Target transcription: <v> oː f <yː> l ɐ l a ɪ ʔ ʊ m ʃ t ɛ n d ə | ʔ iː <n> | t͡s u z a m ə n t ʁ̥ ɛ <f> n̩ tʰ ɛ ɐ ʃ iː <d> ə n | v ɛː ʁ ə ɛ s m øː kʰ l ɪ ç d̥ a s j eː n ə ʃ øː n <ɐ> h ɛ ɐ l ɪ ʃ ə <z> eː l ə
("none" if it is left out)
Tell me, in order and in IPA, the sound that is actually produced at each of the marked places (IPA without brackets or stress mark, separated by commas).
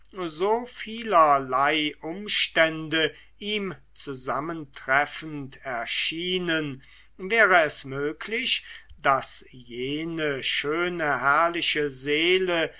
z, iː, m, f, n, ə, z